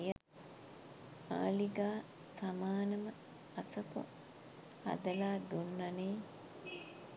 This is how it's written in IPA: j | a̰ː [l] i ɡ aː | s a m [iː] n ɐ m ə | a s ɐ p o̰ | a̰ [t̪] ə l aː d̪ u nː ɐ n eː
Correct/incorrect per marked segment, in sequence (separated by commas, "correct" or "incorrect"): correct, incorrect, incorrect